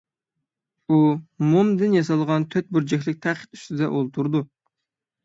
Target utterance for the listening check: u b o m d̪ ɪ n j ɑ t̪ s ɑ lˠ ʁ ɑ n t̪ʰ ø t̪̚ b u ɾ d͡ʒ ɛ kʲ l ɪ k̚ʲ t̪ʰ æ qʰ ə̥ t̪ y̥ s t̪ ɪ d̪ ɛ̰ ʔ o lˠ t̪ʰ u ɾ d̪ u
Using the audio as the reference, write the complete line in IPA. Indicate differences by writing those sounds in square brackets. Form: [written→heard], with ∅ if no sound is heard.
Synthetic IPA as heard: u [b→m] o m d̪ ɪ n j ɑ [t̪→∅] s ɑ lˠ ʁ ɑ n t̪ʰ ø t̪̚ b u ɾ d͡ʒ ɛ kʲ l ɪ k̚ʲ t̪ʰ æ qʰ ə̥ t̪ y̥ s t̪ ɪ d̪ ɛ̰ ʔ o lˠ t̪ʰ u ɾ d̪ u